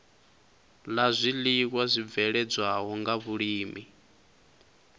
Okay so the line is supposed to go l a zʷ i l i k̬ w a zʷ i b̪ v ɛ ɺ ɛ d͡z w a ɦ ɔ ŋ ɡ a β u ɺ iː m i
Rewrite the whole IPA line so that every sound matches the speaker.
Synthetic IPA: l a zʷ i l i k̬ w a zʷ i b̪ v ɛ ɺ ɛ d͡z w a ɦ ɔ ŋ ɡ a β u ɺ iː m i